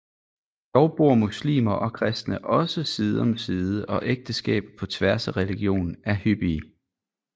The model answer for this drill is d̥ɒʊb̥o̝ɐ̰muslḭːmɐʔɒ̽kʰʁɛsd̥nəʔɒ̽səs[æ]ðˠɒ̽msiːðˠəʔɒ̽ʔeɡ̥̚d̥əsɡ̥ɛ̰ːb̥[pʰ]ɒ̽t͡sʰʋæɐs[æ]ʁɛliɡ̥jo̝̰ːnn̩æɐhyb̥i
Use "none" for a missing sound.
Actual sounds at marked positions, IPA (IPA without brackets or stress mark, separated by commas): i, pʰ, æ